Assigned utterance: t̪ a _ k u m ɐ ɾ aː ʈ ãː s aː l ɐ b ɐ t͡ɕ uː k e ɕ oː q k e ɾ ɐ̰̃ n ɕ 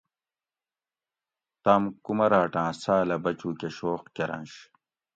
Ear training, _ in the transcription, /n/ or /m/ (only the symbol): m